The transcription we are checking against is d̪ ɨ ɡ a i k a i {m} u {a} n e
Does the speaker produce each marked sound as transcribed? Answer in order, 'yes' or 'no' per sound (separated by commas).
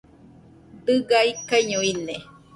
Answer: no, no